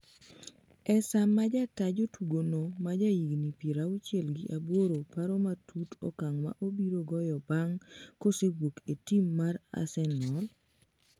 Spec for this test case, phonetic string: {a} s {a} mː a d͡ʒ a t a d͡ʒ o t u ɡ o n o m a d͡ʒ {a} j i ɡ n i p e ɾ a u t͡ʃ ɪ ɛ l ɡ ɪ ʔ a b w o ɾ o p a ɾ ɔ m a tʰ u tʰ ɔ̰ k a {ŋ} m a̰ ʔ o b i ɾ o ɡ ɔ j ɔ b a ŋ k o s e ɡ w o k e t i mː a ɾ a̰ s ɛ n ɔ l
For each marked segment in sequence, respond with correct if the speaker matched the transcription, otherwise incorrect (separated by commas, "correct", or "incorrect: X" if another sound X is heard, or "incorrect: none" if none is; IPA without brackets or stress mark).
incorrect: ɛ, correct, correct, correct